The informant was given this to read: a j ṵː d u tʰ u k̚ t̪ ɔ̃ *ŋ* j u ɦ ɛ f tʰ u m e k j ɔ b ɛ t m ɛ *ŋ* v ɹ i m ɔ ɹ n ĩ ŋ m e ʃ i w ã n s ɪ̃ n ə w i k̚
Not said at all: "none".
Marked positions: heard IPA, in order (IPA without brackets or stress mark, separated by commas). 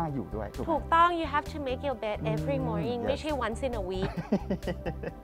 ŋ, none